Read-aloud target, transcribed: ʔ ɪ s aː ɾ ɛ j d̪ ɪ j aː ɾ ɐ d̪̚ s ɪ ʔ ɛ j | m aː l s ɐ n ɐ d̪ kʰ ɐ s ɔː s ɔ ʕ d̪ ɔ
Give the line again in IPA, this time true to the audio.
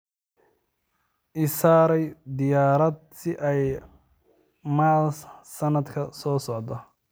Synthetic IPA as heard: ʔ ɪ s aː ɾ ɛ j d̪ ɪ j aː ɾ ɐ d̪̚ s ɪ ʔ ɛ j | m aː l s ɐ n ɐ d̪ kʰ ɐ s ɔː s ɔ ʕ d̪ ɔ

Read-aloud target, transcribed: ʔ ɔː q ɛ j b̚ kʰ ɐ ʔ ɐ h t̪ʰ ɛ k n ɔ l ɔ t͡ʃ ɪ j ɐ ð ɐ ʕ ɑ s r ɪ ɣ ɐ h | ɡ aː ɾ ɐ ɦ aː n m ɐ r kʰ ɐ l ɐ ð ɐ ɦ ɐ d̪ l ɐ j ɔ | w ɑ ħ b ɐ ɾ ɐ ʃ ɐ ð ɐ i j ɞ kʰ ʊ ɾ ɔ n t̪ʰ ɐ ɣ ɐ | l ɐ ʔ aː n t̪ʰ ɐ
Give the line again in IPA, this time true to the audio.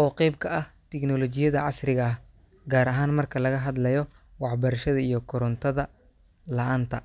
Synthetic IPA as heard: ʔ ɔː q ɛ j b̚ kʰ ɐ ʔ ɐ h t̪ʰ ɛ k n ɔ l ɔ t͡ʃ ɪ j ɐ ð ɐ ʕ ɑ s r ɪ ɣ ɐ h | ɡ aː ɾ ɐ ɦ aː n m ɐ r kʰ ɐ l ɐ ɣ ɐ ɦ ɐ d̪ l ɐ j ɔ | w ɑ ħ b ɐ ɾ ɐ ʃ ɐ ð ɐ i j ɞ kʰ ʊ ɾ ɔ n t̪ʰ ɐ ð ɐ | l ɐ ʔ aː n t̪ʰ ɐ

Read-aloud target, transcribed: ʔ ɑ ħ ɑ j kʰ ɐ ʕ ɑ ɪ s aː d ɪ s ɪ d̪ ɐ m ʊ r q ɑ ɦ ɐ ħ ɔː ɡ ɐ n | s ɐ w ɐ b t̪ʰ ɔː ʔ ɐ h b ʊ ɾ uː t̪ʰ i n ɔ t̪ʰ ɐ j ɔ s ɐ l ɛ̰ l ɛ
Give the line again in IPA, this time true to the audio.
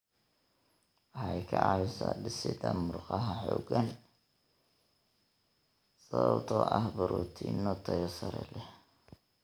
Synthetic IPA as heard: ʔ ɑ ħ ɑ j kʰ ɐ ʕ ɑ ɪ s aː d ɪ s ɪ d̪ ɐ m ʊ r q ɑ ɦ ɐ ħ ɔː ɡ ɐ n | s ɐ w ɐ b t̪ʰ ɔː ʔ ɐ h b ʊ ɾ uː t̪ʰ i n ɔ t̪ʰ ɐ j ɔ s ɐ ɾ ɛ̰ l ɛ

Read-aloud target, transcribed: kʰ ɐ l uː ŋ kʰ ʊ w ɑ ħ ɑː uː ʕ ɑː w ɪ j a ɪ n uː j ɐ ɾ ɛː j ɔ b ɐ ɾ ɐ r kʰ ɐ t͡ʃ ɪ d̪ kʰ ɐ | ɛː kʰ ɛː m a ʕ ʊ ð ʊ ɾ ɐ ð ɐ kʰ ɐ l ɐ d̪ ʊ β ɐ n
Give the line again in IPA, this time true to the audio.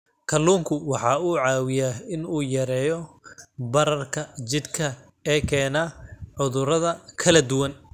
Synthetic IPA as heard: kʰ ɐ l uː ŋ kʰ ʊ w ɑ ħ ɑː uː ʕ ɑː w ɪ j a ɪ n uː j ɐ ɾ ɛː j ɔ b ɐ ɾ ɐ r kʰ ɐ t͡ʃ ɪ d̪ kʰ ɐ | ɛː kʰ ɛː n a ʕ ʊ ð ʊ ɾ ɐ ð ɐ kʰ ɐ l ɐ d̪ ʊ w ɐ n

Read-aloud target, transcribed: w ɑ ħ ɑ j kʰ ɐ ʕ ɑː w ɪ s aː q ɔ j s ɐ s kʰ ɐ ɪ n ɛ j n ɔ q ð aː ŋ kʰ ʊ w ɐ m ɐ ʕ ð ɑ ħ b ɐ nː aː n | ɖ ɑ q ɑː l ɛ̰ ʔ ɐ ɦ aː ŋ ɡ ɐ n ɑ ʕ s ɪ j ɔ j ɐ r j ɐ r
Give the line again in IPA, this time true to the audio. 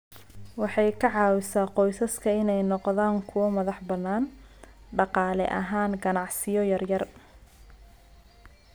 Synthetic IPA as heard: w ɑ ħ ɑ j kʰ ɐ ʕ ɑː w ɪ s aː q ɔ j s ɐ s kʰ ɐ ɪ n ɛ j n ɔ q ð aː ŋ kʰ ʊ w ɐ m ɐ ð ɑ ħ b ɐ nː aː n | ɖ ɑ q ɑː l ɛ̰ ʔ ɐ ɦ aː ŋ ɡ ɐ n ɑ ʕ s ɪ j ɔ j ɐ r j ɐ r

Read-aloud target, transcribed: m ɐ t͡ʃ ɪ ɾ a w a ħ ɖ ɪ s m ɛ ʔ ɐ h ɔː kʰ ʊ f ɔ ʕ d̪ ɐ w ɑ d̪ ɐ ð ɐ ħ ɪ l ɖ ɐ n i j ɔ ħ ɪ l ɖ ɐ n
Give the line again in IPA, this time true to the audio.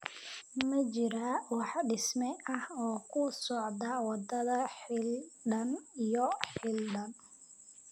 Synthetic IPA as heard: m ɐ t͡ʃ ɪ ɾ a w ɑ ħ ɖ ɪ s m ɛ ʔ ɐ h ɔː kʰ ʊ s ɔ ʕ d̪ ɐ w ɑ d̪ ɐ ð ɐ ħ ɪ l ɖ ɐ n i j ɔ ħ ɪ l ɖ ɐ n

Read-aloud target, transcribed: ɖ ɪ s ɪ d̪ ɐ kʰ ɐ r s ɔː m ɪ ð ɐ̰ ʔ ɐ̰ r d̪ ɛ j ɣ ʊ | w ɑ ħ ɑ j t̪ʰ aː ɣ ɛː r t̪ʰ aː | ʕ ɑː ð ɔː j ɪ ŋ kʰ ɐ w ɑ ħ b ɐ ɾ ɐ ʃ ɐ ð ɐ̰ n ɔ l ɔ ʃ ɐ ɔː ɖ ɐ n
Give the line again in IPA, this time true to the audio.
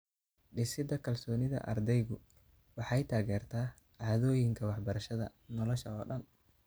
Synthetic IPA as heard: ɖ ɪ s ɪ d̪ ɐ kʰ ɐ l s ɔː n ɪ ð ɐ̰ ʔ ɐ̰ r d̪ ɛ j ɣ ʊ | w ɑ ħ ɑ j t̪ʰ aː ɣ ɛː r t̪ʰ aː | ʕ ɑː ð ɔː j ɪ ŋ kʰ ɐ w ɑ ħ b ɐ ɾ ɐ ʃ ɐ ð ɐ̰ n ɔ l ɔ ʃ ɐ ɔː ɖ ɐ n

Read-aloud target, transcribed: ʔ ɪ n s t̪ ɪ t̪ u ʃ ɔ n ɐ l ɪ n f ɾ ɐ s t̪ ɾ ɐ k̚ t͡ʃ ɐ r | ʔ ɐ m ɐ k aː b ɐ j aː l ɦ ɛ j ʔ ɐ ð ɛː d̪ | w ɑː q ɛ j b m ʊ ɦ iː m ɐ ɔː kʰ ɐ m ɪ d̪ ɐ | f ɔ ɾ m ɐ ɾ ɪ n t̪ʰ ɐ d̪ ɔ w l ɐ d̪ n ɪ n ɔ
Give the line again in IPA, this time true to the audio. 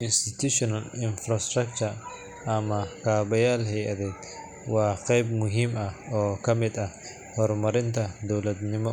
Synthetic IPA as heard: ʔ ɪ n s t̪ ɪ t̪ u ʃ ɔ n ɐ l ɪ n f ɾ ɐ s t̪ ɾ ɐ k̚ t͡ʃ ɐ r | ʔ ɐ m ɐ k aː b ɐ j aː l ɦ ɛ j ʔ ɐ ð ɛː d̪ | w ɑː q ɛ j b m ʊ ɦ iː m ɐ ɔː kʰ ɐ m ɪ d̪ ɐ | h ɔ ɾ m ɐ ɾ ɪ n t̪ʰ ɐ d̪ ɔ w l ɐ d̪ n ɪ m ɔ

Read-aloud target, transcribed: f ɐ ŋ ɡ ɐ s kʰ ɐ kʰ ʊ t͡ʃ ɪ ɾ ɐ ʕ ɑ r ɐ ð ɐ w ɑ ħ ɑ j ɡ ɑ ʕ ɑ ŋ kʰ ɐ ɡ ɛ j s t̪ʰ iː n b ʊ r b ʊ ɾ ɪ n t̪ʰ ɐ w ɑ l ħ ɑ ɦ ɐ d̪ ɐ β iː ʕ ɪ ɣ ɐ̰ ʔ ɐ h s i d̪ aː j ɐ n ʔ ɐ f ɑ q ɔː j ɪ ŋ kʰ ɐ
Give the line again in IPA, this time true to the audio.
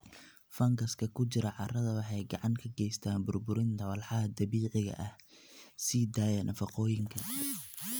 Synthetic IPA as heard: f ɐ ŋ ɡ ɐ s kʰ ɐ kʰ ʊ t͡ʃ ɪ ɾ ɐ ʕ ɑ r ɐ ð ɐ w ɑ ħ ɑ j ɡ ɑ ʕ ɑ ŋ kʰ ɐ ɡ ɛ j s t̪ʰ aː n b ʊ r b ʊ ɾ ɪ n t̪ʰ ɐ w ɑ l ħ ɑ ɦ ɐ d̪ ɐ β iː ʕ ɪ ɣ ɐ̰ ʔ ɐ h s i d̪ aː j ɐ n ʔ ɐ f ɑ q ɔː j ɪ ŋ kʰ ɐ

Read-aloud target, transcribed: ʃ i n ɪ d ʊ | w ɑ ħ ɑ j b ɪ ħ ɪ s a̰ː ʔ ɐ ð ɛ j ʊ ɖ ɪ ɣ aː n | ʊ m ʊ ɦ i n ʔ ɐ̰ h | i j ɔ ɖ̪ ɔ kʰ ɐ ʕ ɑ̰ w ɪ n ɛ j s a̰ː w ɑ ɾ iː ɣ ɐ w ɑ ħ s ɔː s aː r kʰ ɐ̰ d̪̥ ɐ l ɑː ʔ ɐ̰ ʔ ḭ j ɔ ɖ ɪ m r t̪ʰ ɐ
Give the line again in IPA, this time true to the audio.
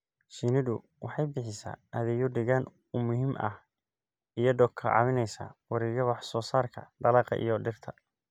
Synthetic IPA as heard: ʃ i n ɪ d ʊ | w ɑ ħ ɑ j b ɪ ħ ɪ s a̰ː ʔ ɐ ð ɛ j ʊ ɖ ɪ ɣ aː n | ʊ m ʊ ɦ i m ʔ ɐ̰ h | i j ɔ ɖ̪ ɔ kʰ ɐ ʕ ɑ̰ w ɪ n ɛ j s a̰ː w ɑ ɾ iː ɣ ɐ w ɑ ħ s ɔː s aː r kʰ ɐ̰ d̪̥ ɐ l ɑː q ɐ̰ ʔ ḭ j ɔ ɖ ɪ r t̪ʰ ɐ

